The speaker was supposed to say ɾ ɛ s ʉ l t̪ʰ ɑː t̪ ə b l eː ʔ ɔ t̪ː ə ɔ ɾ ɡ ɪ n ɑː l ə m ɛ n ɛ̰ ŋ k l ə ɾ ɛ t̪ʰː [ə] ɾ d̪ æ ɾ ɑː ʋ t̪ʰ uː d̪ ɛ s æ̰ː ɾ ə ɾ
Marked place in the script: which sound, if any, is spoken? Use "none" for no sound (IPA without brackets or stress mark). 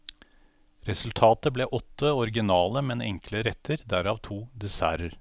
ə